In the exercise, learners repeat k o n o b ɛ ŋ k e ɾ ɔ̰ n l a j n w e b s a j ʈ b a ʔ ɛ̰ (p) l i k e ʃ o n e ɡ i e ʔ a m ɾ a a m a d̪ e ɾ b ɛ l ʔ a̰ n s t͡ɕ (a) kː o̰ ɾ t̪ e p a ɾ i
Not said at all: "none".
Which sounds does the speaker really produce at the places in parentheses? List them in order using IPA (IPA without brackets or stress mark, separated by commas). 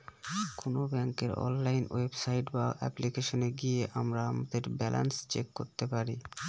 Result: p, e